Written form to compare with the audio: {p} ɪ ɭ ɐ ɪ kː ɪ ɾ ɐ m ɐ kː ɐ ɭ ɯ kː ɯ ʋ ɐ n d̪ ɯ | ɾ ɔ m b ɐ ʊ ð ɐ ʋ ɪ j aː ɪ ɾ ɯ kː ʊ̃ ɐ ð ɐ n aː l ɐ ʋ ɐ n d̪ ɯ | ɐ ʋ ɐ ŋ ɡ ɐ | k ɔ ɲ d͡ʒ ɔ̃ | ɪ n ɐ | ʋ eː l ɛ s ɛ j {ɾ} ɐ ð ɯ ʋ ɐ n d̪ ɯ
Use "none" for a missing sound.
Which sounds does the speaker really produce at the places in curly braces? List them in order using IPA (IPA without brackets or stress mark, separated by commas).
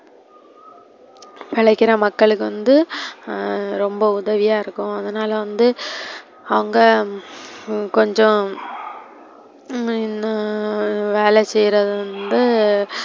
p, ɾ